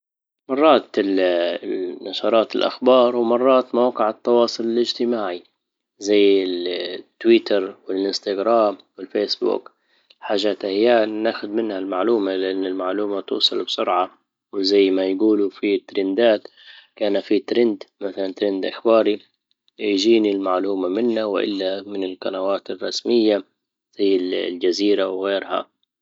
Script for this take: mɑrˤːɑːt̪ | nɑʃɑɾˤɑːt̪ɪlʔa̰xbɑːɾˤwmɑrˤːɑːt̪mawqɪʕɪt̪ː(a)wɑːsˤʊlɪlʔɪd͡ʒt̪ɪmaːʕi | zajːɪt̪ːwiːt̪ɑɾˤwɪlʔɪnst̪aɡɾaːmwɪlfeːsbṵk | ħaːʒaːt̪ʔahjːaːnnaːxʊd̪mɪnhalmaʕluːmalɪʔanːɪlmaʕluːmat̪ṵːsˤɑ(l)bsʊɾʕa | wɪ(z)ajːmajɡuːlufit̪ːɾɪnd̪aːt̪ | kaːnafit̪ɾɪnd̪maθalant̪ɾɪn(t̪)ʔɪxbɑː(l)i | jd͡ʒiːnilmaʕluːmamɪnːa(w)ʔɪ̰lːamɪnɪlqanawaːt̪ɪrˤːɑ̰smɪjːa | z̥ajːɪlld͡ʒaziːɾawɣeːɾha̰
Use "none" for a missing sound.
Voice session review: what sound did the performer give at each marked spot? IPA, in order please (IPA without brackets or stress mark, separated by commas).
ɑ, l, z, d̪, ɾ, w